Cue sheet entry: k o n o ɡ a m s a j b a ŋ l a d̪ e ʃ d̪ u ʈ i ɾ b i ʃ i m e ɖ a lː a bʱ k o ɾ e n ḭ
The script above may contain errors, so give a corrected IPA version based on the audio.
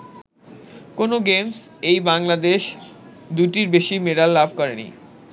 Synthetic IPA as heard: k o n o ɡ e m s e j b a ŋ l a d̪ e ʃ d̪ u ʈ i ɾ b e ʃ i m e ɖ a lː a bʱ k ɔ ɾ e n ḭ